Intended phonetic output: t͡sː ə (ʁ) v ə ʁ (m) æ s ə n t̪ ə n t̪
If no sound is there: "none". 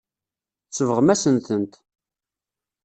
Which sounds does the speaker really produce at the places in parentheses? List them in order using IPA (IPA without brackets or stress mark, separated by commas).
none, m